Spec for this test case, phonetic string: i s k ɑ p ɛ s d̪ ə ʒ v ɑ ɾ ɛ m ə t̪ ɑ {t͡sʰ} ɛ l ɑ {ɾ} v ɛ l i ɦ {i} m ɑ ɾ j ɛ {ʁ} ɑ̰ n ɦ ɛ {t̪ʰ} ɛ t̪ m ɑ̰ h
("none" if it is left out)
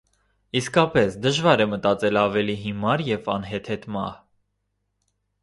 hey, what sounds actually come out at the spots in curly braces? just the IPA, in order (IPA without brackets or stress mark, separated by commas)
t͡s, none, i, v, t̪ʰ